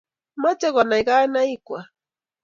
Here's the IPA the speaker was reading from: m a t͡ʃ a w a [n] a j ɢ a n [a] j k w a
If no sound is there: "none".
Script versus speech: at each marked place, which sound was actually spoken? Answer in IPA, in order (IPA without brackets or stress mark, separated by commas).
n, a